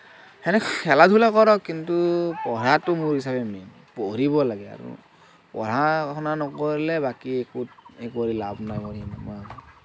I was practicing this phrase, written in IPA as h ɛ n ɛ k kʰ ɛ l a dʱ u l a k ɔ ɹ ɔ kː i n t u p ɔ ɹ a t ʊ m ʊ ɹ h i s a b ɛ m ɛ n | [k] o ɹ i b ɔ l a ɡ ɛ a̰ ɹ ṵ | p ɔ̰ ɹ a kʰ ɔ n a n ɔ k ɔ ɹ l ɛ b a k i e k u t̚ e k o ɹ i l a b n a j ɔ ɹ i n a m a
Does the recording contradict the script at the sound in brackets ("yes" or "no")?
yes